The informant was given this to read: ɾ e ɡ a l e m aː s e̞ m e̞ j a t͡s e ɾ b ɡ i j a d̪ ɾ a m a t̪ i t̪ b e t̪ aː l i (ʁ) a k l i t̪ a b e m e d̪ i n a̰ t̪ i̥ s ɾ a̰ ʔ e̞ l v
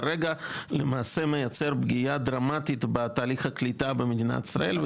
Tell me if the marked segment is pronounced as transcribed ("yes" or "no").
no